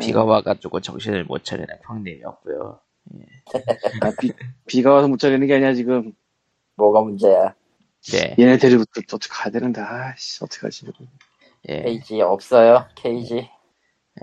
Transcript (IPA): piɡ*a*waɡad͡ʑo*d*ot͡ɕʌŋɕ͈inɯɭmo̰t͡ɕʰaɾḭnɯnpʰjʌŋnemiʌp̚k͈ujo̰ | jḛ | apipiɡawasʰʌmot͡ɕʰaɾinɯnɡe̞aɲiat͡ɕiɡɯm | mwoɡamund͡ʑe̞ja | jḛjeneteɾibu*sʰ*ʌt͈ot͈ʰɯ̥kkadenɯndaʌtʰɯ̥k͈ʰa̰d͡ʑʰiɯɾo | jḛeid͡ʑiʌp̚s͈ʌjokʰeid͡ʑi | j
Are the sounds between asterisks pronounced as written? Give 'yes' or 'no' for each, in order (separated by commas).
yes, no, no